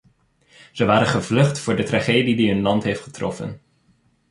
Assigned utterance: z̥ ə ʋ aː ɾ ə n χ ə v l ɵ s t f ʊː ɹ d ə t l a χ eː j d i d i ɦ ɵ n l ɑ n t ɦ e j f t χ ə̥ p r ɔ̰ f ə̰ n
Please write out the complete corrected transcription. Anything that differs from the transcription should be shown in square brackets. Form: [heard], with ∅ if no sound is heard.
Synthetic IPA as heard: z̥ ə ʋ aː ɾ ə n χ ə v l ɵ [χ] t f ʊː ɹ d ə t [r] a χ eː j d i d i ɦ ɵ n l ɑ n t ɦ e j f t χ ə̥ [t] r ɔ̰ f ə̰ n